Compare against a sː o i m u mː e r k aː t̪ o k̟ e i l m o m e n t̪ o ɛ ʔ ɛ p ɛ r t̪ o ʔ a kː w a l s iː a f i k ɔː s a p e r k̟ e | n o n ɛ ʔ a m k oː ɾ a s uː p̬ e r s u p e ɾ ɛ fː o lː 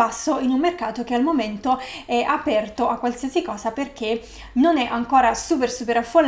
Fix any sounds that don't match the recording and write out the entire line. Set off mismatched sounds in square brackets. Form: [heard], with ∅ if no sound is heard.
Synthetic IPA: a sː o i [n] u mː e r k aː t̪ o k̟ e [a] l m o m e n t̪ o ɛ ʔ [a] p ɛ r t̪ o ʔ a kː w a l s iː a [s] i k ɔː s a p e r k̟ e | n o n ɛ ʔ a [ŋ] k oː ɾ a s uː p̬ e r s u p e ɾ [a] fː o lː